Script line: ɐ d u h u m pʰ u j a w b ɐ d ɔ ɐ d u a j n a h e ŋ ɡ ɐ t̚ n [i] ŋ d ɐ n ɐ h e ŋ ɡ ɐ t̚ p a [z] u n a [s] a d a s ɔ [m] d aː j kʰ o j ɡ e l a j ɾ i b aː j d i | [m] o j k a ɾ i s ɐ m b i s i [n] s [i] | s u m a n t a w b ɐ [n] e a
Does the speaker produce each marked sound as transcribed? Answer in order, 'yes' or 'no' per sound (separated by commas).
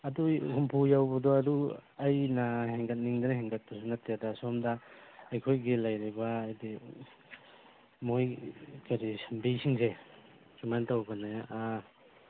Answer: yes, no, no, yes, yes, no, no, yes